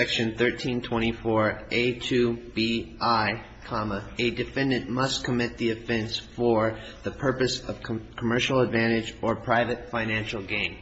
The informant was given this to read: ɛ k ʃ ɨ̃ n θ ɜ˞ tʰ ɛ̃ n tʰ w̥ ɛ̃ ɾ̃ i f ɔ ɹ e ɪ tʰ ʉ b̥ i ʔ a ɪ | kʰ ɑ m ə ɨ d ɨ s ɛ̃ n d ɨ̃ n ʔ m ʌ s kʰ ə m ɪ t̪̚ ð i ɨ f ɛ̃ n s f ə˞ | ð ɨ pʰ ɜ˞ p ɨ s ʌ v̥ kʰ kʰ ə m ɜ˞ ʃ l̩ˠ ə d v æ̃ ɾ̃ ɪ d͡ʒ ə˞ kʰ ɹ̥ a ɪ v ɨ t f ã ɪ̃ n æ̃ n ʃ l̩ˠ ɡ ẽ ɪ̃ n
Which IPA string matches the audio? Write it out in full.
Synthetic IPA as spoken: ɛ k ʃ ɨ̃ n θ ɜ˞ tʰ ĩ n tʰ w̥ ɛ̃ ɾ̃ i f ɔ ɹ e ɪ tʰ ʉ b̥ i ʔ a ɪ | kʰ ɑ m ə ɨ d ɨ f ɛ̃ n d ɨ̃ n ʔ m ʌ s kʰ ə m ɪ t̪̚ ð i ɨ f ɛ̃ n s f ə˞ | ð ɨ pʰ ɜ˞ p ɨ s ʌ v̥ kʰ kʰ ə m ɜ˞ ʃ l̩ˠ ə d v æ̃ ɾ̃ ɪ d͡ʒ ə˞ pʰ ɹ̥ a ɪ v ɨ t f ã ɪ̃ n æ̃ n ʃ l̩ˠ ɡ ẽ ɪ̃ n